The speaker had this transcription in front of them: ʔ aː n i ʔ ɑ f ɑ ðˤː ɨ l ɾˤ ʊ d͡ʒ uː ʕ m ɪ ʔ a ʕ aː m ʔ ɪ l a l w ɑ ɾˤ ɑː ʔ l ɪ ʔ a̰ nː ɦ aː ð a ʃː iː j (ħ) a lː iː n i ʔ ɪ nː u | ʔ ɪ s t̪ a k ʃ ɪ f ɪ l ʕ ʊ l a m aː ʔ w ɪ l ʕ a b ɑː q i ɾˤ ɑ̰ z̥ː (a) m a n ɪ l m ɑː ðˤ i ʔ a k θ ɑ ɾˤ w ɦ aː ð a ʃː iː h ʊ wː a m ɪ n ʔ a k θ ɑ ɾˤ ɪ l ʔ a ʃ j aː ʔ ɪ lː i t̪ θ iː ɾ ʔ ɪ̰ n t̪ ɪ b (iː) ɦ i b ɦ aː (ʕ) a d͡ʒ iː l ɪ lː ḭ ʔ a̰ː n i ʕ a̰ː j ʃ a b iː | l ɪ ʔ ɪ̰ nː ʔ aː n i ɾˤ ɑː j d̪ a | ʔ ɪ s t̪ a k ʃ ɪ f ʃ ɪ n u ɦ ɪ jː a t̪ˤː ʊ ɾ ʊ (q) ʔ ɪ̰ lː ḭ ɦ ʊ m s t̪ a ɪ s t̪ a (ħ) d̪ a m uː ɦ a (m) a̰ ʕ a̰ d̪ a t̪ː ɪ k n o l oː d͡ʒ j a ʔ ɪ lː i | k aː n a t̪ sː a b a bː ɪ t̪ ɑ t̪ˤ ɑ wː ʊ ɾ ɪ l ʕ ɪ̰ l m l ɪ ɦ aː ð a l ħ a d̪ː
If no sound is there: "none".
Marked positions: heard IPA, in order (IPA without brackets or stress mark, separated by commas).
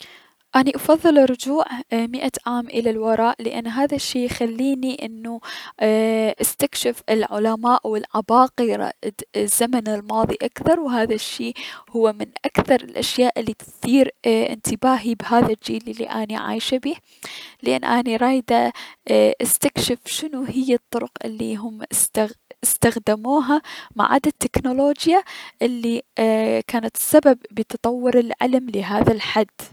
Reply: x, a, aː, ð, q, x, m